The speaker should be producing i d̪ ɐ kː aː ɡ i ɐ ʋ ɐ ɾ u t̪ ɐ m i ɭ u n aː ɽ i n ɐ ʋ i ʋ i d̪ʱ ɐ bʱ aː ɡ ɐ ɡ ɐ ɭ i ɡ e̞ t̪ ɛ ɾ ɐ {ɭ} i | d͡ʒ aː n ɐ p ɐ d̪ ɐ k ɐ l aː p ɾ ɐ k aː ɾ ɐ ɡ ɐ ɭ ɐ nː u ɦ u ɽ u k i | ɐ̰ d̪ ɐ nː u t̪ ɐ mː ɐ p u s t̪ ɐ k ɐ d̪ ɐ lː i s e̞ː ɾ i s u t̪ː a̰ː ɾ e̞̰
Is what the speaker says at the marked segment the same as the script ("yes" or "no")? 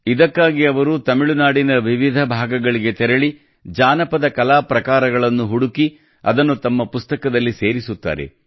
yes